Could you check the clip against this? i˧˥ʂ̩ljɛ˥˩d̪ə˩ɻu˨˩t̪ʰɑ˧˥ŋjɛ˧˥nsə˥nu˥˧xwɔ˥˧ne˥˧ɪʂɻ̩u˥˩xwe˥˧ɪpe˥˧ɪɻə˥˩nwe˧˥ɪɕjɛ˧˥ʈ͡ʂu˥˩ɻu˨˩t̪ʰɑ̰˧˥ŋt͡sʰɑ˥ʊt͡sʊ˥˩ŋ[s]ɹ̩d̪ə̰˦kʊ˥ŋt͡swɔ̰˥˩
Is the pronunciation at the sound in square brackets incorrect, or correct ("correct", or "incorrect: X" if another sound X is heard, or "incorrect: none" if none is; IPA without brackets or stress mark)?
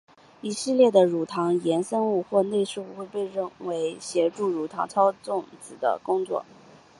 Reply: incorrect: t͡s